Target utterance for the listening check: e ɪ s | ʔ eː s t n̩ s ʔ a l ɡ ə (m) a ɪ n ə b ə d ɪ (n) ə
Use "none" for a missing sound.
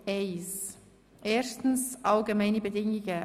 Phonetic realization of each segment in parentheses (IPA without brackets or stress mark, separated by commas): m, ŋ